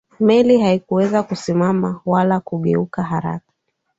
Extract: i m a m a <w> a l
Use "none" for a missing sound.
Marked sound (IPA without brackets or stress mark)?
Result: w